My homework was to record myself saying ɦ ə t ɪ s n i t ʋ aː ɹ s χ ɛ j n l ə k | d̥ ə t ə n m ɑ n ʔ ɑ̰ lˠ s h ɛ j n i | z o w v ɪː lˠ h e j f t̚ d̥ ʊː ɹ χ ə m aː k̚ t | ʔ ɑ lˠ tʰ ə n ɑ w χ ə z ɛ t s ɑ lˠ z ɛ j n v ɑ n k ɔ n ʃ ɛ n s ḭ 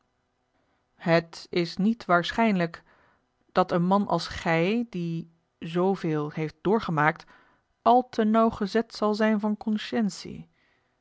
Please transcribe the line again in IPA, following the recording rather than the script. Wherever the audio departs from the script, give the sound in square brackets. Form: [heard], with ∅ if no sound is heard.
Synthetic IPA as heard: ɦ ə t ɪ s n i t ʋ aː ɹ s χ ɛ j n l ə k | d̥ [ɑ] t ə n m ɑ n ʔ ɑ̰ lˠ s [χ] ɛ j [d] i | z o w v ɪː lˠ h e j f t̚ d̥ ʊː ɹ χ ə m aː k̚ t | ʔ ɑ lˠ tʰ ə n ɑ w χ ə z ɛ t s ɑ lˠ z ɛ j n v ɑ n k ɔ n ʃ ɛ n s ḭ